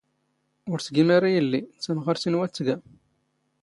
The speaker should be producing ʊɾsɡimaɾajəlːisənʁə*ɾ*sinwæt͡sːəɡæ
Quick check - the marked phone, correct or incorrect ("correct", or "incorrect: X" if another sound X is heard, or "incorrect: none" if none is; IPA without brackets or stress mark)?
correct